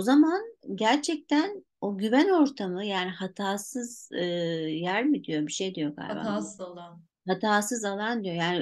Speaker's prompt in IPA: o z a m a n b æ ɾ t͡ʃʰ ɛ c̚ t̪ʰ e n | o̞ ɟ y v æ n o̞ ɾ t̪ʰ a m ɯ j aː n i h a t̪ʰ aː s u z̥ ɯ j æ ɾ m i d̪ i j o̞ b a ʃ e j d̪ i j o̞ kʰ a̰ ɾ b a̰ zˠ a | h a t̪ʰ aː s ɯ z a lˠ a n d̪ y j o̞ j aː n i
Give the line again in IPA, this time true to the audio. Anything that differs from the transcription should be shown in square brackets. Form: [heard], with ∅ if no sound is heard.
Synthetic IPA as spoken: o z a m a n [ɟ] æ ɾ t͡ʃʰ ɛ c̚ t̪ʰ [æ] n | o̞ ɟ y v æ n o̞ ɾ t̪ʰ a m ɯ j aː n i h a t̪ʰ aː s [ɯ] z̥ ɯ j æ ɾ m i d̪ i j o̞ b [i] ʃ e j d̪ i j o̞ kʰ a̰ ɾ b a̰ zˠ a | h a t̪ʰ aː s ɯ z a lˠ a n d̪ [i] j o̞ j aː n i